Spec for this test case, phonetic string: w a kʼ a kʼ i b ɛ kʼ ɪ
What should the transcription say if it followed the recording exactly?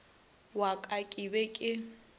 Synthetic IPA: w a kʼ a kʼ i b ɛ kʼ ɪ